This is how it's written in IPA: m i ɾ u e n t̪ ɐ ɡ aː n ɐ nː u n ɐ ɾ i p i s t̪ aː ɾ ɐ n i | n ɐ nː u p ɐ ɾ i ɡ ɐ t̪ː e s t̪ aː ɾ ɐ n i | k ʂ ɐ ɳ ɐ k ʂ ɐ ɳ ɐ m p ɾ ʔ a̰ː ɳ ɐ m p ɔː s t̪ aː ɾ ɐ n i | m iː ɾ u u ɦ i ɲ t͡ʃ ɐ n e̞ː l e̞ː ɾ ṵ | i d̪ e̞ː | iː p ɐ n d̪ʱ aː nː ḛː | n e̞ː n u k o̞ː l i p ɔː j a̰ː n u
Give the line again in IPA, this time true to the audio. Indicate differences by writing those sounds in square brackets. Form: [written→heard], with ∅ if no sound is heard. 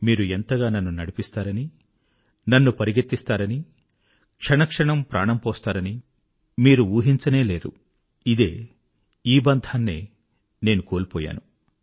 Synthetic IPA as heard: m [i→iː] ɾ u e n t̪ ɐ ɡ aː n ɐ nː u n ɐ [ɾ→ɽ] i p i s t̪ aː ɾ ɐ n i | n ɐ nː u p ɐ ɾ i ɡ ɐ t̪ː [e→i] s t̪ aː ɾ ɐ n i | k ʂ ɐ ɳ ɐ k ʂ ɐ ɳ ɐ m p ɾ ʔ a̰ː ɳ ɐ m p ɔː s t̪ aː ɾ ɐ n i | m iː ɾ u [u→uː] ɦ i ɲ t͡ʃ ɐ n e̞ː l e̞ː ɾ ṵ | i d̪ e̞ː | iː [p→b] ɐ n d̪ʱ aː nː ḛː | n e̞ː n u k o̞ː l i p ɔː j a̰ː n u